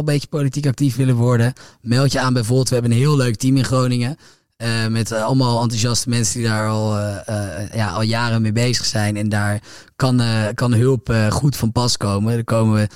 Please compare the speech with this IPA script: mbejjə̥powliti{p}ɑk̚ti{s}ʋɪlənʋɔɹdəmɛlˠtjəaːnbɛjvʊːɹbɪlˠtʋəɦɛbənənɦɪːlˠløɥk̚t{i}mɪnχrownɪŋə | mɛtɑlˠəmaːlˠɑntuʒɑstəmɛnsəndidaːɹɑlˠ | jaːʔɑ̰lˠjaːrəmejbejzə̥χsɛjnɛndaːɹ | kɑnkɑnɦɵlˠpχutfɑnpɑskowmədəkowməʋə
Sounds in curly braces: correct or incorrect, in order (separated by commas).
incorrect, incorrect, correct